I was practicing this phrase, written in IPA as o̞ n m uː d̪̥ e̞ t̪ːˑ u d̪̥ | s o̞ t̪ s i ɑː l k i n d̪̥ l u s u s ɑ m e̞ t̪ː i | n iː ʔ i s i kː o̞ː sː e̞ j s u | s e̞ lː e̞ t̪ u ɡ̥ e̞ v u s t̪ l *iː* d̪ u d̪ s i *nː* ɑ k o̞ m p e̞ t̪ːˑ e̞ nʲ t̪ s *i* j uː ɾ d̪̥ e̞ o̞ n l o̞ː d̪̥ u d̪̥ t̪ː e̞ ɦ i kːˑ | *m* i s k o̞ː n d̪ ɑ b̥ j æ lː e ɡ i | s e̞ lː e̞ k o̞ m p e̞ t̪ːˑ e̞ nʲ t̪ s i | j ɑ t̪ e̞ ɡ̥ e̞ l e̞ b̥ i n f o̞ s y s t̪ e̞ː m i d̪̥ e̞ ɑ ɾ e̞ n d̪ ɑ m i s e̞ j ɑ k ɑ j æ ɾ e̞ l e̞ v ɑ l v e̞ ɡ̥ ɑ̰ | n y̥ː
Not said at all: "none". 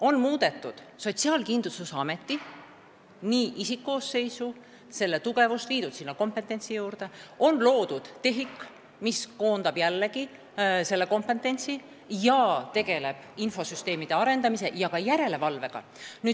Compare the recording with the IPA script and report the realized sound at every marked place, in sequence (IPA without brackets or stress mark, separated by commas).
iː, nː, i, m